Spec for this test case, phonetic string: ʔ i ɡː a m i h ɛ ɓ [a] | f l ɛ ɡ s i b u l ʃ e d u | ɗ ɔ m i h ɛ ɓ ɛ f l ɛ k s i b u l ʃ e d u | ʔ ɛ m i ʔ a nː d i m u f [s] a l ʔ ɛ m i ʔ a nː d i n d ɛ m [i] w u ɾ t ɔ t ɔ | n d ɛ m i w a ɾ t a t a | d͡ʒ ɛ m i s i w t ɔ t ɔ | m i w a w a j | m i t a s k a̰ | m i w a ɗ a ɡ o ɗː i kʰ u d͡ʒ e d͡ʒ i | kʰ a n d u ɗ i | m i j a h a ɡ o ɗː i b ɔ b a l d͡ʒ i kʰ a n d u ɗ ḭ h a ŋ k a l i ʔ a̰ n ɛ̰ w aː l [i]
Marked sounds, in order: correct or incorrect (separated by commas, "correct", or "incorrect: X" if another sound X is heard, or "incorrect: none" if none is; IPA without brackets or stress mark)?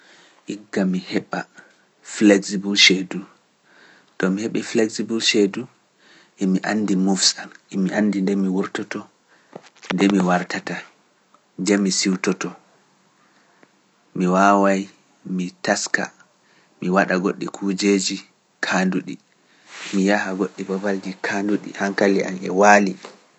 correct, correct, correct, correct